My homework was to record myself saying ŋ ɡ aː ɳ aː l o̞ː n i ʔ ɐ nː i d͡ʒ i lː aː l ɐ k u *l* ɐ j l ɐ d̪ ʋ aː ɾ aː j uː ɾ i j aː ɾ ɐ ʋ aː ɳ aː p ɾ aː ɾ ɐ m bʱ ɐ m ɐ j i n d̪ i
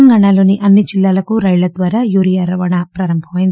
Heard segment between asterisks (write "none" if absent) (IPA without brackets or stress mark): ɾ